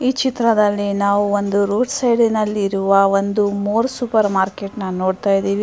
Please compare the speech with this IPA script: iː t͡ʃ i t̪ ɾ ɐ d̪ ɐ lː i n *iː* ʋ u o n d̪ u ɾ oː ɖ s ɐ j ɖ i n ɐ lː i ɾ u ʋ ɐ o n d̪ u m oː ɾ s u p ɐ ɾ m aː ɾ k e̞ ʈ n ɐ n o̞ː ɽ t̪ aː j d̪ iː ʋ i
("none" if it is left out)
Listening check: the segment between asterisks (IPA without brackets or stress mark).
aː